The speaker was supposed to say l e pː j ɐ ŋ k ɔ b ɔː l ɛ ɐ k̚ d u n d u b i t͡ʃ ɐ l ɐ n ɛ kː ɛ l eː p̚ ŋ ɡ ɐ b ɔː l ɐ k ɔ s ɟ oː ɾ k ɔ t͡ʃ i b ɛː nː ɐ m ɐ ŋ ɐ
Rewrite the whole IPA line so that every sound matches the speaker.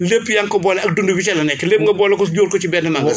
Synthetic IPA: l e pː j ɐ ŋ k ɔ b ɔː l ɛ ɐ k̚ d u n d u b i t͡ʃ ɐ l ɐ n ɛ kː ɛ l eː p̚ ŋ ɡ ɐ b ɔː l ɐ k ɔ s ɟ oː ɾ k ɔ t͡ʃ i b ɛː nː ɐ m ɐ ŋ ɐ